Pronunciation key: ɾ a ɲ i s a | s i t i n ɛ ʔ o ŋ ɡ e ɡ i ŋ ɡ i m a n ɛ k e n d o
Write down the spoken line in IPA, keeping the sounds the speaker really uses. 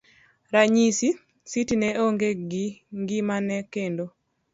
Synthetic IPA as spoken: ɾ a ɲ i s i | s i t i n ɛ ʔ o ŋ ɡ e ɡ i ŋ ɡ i m a n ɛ k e n d o